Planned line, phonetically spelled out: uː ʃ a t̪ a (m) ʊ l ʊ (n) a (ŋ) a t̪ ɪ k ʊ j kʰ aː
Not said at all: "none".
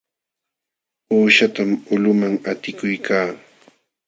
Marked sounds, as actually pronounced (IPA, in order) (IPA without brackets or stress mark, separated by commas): m, m, ŋ